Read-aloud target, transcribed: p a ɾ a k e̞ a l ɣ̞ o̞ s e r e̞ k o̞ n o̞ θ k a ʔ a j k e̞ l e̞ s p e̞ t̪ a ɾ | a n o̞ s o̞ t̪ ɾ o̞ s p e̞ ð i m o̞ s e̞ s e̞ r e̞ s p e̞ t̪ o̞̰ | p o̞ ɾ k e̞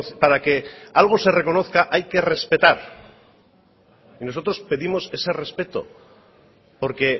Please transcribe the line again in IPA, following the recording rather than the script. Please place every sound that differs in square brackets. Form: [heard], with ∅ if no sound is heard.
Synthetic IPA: p a ɾ a k e̞ a l ɣ̞ o̞ s e r e̞ k o̞ n o̞ θ k a ʔ a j k e̞ [r] e̞ s p e̞ t̪ a ɾ | [i] n o̞ s o̞ t̪ ɾ o̞ s p e̞ ð i m o̞ s e̞ s e̞ r e̞ s p e̞ t̪ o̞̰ | p o̞ ɾ k e̞